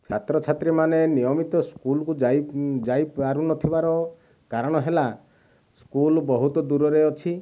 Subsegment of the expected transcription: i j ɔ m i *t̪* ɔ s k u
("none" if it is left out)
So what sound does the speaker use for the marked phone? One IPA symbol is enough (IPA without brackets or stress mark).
t̪